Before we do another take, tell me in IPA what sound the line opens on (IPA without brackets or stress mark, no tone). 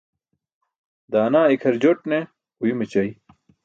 d̪